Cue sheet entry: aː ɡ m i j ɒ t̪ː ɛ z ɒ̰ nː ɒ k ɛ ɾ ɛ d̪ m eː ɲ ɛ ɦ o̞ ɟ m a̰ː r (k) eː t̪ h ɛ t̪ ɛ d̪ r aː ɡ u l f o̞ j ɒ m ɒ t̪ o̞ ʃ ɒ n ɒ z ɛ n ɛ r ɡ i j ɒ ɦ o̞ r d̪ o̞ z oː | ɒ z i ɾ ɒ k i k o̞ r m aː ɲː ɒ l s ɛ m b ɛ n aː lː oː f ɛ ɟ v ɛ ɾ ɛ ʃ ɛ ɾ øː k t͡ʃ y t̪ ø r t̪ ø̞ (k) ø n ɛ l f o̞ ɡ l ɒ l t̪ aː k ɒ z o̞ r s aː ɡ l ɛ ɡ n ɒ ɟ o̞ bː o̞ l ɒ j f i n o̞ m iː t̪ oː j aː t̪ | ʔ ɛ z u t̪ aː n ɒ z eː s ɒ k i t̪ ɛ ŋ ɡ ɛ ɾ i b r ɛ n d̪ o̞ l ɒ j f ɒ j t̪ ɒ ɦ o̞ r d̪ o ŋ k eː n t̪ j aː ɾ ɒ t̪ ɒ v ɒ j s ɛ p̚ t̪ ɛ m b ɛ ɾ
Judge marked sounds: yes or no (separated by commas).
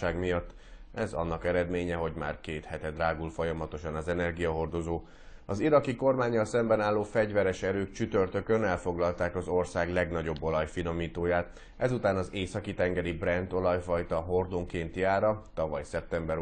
yes, yes